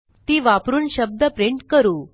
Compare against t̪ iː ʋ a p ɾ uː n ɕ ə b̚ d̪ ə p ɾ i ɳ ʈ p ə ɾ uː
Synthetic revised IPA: t̪ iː ʋ a p ɾ uː n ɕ ə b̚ d̪ ə p ɾ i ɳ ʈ k ə ɾ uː